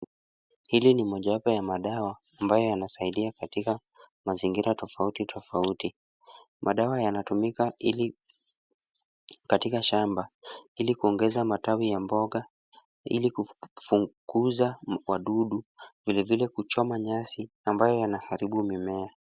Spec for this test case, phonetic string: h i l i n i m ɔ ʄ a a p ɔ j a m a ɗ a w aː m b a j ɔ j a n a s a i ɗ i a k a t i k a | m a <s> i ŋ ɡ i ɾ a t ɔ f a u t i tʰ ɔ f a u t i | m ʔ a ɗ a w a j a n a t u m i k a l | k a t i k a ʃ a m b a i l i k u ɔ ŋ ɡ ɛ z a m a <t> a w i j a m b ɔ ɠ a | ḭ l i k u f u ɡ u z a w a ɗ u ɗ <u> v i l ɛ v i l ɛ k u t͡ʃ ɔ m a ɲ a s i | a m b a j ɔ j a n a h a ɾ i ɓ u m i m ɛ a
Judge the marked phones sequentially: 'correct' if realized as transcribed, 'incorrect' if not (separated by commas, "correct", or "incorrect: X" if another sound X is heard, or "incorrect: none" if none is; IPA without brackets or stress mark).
incorrect: z, correct, correct